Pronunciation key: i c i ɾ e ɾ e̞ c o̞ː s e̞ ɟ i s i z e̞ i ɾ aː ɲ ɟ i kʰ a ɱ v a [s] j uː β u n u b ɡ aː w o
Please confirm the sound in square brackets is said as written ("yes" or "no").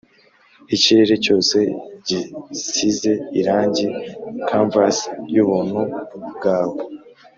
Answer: yes